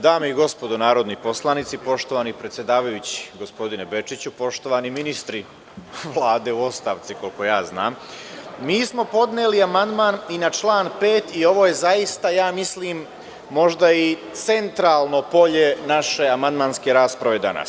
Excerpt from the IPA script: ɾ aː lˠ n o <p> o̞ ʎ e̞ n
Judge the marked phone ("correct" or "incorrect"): correct